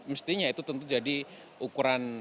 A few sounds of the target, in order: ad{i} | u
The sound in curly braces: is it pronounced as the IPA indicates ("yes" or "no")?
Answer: yes